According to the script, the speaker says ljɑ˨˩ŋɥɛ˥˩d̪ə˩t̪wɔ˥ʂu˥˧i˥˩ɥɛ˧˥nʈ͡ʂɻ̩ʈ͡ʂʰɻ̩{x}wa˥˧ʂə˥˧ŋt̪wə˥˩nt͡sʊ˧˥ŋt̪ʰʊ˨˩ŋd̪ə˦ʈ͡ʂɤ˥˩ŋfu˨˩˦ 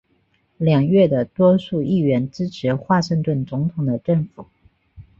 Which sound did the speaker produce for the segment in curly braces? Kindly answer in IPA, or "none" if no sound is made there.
x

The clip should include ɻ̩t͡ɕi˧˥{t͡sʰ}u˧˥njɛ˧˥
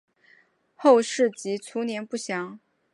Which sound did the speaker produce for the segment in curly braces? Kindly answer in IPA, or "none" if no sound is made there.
t͡sʰ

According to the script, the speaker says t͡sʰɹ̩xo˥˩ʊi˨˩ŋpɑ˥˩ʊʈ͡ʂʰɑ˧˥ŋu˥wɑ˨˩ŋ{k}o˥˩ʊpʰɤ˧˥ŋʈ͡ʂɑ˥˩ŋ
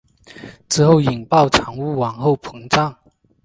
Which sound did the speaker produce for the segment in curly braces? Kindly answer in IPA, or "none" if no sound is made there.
x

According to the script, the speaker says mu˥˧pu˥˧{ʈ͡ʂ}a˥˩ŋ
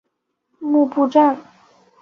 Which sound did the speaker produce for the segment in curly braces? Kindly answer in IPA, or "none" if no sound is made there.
ʈ͡ʂ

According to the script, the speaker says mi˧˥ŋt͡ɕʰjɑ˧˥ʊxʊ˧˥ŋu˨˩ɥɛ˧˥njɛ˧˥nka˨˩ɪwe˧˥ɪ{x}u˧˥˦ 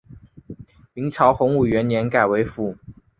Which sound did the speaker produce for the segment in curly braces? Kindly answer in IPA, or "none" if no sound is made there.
f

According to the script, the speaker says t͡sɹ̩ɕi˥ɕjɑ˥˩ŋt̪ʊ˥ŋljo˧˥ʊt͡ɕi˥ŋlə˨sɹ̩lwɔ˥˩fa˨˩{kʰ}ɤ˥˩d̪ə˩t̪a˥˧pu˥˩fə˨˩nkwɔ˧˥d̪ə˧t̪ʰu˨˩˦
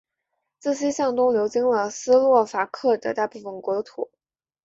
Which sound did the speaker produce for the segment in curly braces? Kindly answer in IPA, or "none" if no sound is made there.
kʰ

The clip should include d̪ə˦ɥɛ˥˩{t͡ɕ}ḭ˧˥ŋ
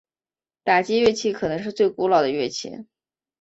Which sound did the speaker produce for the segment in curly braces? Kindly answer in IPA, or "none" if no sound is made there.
t͡ɕʰ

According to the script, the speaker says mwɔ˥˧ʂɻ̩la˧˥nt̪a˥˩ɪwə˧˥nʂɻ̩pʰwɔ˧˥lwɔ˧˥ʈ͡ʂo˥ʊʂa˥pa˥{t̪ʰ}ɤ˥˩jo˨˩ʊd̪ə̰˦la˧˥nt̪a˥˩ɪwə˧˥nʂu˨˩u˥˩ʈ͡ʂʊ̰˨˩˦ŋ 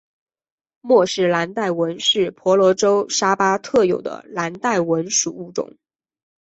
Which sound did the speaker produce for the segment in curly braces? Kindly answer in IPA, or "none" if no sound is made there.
t̪ʰ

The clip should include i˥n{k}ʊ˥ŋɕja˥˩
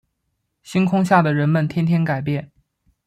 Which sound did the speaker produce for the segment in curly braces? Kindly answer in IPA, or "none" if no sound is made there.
kʰ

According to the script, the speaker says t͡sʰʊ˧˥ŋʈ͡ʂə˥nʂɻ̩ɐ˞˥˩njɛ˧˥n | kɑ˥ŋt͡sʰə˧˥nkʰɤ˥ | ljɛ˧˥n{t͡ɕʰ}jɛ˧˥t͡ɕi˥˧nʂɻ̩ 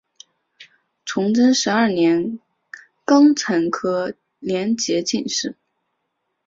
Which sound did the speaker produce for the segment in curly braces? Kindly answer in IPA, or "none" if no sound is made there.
t͡ɕ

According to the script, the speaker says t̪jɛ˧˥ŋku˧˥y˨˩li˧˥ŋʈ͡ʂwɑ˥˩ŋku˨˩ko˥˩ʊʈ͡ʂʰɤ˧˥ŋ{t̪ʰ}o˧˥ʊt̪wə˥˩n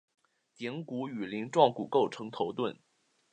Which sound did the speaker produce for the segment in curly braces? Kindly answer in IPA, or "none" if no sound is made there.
t̪ʰ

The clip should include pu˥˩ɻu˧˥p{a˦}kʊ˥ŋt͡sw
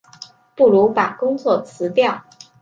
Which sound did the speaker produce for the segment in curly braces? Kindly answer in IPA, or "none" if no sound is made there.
a˨˩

